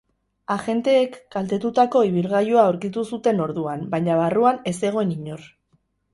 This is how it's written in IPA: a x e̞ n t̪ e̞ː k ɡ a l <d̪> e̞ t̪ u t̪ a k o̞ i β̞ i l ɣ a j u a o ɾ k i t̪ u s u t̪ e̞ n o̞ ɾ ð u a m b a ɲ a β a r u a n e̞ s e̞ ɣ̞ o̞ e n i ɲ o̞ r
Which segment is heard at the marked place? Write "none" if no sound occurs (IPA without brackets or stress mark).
t̪